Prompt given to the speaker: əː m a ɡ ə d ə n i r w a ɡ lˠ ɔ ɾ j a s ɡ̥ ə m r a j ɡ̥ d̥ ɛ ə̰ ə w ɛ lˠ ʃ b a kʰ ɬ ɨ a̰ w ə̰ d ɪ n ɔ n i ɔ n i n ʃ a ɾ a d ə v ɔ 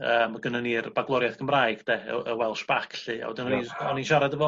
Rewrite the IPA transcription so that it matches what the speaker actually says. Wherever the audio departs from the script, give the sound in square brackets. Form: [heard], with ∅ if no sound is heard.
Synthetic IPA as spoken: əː m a ɡ ə [n] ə n i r [b] a ɡ lˠ ɔ ɾ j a [θ] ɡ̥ ə m r a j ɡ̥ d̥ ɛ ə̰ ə w ɛ lˠ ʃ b a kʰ ɬ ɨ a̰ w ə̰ d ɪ n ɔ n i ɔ n i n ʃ a ɾ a d ə v ɔ